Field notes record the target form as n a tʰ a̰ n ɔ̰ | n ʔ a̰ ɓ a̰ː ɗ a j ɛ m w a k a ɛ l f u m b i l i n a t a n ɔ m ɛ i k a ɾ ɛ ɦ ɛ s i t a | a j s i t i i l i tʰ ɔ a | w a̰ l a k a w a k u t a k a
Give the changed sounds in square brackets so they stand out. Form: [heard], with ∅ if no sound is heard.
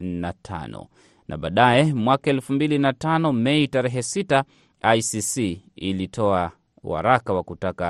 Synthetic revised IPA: n a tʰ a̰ n ɔ̰ | n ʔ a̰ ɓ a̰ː ɗ a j ɛ m w a k a ɛ l f u m b i l i n a t a n ɔ m ɛ i [t] a ɾ ɛ ɦ ɛ s i t a | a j s i [s] i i l i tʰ ɔ a | w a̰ [ɾ] a k a w a k u t a k a